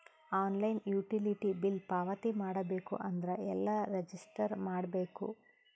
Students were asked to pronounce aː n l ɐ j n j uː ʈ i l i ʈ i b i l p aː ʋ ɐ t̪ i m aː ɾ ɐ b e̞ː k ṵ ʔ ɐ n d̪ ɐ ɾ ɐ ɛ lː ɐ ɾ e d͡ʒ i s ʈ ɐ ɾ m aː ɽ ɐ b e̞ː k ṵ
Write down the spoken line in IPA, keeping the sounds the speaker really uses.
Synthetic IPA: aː n l ɐ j n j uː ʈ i l i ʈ i b i l p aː ʋ ɐ t̪ i m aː ɽ ɐ b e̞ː k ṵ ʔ ɐ n d̪ ɐ ɾ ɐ ɛ lː ɐ ɾ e d͡ʒ i s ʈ ɐ ɾ m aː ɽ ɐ b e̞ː k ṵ